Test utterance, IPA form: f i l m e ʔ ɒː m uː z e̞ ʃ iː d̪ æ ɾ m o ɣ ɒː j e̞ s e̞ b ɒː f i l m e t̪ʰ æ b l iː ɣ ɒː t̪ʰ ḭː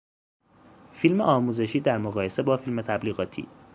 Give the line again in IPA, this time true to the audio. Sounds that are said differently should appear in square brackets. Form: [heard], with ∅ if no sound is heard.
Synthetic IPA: f i l m e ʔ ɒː m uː z e̞ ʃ iː d̪ æ ɾ m o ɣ ɒː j e̞ s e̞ b ɒː f i l m e t̪ʰ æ b l iː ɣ ɒː t̪ʰ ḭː